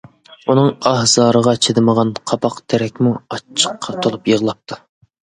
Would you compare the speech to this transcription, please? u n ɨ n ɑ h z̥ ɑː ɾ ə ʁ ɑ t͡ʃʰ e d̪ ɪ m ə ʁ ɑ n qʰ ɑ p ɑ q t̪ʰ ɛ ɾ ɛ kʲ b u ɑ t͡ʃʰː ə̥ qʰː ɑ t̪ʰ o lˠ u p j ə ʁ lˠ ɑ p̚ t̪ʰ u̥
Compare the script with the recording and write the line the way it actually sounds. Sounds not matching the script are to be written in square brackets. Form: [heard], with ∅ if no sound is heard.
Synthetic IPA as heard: u n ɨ [ŋ] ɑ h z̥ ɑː ɾ ə ʁ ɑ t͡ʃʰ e d̪ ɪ m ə ʁ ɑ n qʰ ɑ p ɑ q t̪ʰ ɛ ɾ ɛ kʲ [m] u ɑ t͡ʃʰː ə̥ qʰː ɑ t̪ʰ o lˠ u p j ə ʁ lˠ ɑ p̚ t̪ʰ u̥